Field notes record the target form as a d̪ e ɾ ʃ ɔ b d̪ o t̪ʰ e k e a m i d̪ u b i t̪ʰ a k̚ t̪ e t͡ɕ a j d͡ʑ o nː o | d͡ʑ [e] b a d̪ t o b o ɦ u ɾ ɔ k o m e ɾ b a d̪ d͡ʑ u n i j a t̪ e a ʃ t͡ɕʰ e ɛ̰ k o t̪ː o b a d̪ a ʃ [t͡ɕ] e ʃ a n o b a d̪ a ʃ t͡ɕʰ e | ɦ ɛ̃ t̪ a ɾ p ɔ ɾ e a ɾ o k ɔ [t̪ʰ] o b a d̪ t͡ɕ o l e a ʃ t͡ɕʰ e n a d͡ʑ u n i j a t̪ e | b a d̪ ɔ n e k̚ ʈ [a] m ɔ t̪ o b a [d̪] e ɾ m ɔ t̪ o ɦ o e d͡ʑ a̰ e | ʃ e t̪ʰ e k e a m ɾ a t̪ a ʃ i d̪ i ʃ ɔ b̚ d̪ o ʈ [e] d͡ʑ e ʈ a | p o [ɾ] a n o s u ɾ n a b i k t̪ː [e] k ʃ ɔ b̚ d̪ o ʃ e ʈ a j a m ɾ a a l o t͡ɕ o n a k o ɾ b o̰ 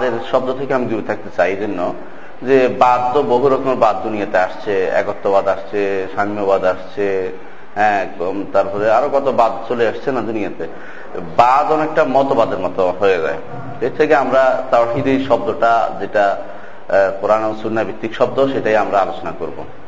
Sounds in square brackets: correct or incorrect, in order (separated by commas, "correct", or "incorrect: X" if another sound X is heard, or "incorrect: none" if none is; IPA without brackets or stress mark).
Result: correct, incorrect: t͡ɕʰ, incorrect: t̪, correct, correct, incorrect: a, correct, incorrect: i